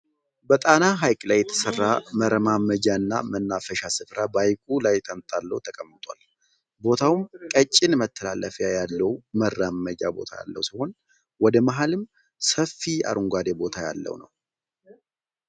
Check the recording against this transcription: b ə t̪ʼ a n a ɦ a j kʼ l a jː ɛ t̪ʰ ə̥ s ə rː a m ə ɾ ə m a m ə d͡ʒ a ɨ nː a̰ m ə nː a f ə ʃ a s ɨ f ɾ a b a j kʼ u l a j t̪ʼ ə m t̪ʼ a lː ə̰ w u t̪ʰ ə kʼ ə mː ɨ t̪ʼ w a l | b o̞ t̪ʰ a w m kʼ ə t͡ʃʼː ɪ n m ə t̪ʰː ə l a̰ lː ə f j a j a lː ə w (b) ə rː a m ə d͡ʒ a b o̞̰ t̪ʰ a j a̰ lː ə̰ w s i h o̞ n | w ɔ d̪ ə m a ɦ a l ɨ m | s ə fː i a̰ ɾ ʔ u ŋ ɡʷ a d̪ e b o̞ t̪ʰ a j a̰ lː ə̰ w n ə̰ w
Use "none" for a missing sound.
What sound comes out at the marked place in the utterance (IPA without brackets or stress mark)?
m